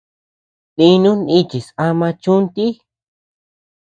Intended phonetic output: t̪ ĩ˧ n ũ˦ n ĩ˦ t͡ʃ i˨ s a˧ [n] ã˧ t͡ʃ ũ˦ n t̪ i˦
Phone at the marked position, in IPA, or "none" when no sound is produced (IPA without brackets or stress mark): m